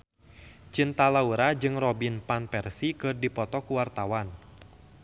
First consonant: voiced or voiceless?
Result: voiceless